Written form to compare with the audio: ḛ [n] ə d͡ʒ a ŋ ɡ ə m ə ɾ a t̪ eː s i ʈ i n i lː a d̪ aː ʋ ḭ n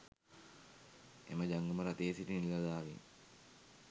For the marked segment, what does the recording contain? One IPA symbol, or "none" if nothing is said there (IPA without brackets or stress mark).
m